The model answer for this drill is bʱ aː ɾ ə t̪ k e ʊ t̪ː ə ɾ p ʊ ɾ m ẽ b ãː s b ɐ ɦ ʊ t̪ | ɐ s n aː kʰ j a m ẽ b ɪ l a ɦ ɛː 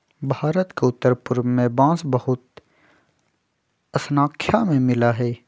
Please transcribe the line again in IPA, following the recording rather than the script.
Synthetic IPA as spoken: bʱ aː ɾ ə t̪ k e ʊ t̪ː ə ɾ p ʊ ɾ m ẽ b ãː s b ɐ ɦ ʊ t̪ | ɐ s n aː kʰ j a m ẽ m ɪ l a ɦ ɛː